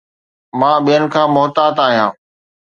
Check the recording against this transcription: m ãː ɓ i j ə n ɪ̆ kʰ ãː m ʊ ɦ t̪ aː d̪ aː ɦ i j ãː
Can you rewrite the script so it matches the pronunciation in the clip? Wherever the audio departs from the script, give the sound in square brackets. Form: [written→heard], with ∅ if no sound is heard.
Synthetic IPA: m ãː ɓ i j ə n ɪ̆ kʰ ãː m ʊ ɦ t̪ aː [d̪→t̪] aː ɦ i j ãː